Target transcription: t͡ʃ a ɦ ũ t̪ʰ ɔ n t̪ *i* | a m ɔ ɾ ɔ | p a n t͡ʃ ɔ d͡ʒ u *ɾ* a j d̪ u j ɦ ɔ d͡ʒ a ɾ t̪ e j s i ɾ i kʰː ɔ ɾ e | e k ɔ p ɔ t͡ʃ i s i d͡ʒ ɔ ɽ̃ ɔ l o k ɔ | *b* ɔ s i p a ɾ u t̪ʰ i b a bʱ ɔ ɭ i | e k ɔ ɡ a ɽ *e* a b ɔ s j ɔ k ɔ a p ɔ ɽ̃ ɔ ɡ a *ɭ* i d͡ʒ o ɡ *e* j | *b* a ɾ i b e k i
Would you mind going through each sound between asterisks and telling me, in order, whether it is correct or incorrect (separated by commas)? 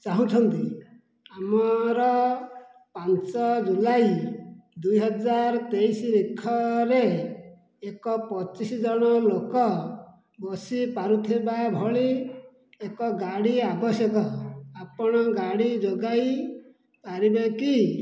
correct, incorrect, correct, incorrect, incorrect, incorrect, incorrect